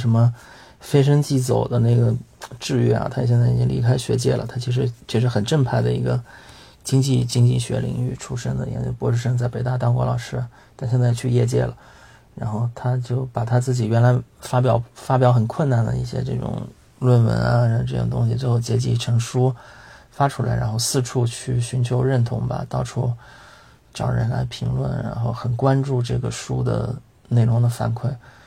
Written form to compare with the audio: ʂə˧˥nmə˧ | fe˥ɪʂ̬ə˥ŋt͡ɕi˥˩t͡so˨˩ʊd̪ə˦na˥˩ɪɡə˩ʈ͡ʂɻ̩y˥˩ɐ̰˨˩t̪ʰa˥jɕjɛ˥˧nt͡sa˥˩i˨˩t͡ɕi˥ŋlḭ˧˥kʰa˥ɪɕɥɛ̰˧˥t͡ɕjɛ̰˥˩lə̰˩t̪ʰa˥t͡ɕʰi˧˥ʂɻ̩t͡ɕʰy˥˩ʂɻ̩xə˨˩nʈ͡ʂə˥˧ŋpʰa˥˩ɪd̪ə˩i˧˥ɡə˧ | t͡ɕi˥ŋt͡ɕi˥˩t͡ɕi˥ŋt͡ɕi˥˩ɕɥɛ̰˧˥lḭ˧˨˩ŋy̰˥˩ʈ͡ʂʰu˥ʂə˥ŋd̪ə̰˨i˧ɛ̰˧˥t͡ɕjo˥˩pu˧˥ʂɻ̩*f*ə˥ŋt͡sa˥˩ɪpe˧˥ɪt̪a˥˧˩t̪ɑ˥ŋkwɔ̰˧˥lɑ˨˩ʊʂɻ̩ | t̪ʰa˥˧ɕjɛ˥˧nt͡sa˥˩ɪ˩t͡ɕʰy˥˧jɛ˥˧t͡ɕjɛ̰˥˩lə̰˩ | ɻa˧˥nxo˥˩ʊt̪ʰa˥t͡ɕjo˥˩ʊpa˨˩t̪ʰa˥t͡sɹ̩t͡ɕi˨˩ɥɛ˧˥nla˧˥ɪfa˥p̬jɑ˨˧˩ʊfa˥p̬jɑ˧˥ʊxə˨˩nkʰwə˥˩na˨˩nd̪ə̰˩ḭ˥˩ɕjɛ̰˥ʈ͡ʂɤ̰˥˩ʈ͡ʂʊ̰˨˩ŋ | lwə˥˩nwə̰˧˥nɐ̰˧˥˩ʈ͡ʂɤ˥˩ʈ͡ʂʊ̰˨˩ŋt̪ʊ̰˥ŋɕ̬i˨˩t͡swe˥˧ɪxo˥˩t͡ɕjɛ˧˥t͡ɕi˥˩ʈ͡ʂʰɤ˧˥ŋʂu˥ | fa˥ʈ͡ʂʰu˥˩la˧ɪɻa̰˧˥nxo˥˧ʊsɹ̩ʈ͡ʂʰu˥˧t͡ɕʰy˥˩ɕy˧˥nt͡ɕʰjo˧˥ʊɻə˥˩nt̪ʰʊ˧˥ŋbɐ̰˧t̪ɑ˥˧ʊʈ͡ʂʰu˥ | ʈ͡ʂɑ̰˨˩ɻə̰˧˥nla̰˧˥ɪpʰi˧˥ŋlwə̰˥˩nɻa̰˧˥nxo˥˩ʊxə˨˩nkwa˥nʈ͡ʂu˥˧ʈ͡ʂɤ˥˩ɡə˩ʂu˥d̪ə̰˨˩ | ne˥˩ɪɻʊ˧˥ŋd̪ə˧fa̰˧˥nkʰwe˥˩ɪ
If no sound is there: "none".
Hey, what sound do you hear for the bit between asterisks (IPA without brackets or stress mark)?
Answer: ʂ